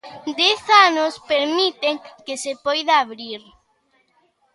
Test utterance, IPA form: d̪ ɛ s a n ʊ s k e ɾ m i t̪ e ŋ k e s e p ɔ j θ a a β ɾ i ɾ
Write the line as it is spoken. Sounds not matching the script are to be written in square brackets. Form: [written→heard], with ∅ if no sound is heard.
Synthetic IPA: d̪ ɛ [s→θ] a n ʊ s [k→p] e ɾ m i t̪ e ŋ k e s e p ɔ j [θ→ð] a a β ɾ i ɾ